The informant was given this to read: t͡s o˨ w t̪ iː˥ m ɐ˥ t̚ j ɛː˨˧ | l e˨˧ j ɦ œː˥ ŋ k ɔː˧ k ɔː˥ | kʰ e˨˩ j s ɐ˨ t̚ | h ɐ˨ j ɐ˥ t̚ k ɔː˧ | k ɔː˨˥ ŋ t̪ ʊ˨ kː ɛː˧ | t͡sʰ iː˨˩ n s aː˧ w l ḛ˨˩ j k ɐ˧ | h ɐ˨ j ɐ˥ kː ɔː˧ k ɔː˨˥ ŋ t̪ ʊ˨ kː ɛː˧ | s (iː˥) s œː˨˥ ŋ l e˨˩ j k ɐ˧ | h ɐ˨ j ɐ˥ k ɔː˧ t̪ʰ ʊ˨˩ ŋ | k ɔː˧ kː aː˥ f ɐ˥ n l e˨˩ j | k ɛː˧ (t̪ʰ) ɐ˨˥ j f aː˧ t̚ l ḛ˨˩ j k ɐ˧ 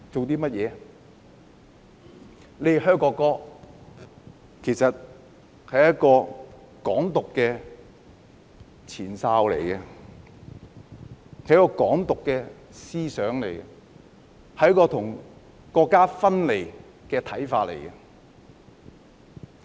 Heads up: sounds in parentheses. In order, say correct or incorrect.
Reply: correct, correct

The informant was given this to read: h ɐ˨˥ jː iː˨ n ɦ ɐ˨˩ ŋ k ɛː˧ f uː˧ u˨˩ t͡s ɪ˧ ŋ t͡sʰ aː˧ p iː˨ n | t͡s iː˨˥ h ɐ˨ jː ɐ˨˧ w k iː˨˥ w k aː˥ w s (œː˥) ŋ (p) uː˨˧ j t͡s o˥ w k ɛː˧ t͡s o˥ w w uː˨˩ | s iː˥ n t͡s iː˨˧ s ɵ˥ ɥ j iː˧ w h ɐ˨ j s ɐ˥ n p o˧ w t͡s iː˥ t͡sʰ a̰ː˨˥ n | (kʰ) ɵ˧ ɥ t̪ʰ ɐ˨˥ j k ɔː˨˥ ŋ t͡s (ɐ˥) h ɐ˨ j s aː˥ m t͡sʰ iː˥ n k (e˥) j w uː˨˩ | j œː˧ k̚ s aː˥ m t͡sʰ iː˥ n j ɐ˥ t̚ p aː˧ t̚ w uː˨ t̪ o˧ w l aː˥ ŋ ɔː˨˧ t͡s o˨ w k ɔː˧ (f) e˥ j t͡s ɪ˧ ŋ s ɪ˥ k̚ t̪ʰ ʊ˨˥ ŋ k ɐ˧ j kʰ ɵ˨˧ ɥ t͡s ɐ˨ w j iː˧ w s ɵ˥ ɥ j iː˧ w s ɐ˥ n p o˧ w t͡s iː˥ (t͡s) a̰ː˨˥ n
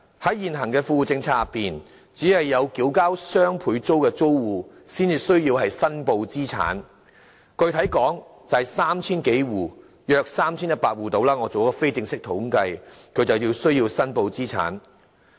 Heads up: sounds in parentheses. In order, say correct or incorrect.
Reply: correct, incorrect: pʰ, incorrect: k, incorrect: ɐ˨, incorrect: e˨˥, correct, incorrect: t͡sʰ

